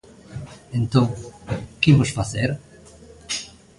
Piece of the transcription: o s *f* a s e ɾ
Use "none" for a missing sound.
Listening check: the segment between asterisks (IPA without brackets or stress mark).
f